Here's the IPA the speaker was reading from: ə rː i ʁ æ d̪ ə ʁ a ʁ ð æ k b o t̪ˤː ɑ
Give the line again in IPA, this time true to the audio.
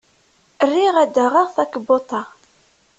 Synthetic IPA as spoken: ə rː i ʁ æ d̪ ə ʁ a ʁ θ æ k b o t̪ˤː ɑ